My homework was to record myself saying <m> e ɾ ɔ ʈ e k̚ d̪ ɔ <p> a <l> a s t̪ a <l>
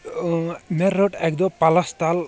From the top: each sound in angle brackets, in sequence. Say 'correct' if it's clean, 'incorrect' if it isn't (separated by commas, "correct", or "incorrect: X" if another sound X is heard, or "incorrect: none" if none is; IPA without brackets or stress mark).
correct, correct, correct, correct